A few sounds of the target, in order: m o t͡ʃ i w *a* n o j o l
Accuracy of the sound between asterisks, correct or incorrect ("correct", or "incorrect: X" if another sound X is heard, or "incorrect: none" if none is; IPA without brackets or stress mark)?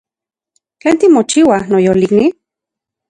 correct